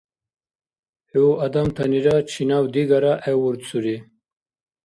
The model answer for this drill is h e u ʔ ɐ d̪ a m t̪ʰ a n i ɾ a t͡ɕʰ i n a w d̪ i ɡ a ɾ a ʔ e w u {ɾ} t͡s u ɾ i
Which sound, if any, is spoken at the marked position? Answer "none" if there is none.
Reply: ɾ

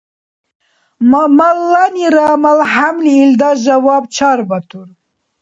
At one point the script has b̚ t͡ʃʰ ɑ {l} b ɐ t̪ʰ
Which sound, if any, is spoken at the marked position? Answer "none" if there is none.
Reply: ɾ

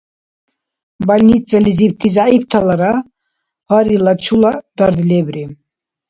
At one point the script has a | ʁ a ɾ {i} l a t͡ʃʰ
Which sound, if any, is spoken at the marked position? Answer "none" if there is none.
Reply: i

